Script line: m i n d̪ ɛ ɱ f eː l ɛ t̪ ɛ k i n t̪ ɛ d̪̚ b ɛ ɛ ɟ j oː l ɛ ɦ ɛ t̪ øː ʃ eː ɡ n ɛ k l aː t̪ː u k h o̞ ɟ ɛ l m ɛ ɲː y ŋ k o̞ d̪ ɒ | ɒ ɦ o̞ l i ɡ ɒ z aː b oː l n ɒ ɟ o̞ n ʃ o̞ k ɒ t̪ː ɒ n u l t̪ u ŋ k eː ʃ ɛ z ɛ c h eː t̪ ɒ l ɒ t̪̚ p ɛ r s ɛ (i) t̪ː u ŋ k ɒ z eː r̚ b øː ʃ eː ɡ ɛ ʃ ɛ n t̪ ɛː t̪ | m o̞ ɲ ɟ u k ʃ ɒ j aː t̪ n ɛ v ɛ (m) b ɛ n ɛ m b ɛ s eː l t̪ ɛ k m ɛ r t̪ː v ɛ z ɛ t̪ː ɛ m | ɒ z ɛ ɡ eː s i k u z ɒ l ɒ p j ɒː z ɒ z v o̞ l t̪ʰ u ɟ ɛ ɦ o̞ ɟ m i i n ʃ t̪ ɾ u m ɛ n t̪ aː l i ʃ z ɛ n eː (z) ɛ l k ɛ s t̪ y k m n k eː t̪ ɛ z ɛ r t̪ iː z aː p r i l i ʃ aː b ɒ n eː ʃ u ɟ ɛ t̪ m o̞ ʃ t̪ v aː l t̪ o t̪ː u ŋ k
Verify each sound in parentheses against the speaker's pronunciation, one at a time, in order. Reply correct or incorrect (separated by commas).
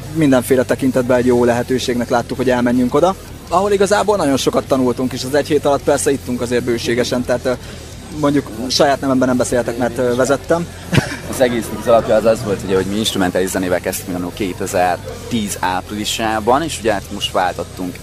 correct, correct, incorrect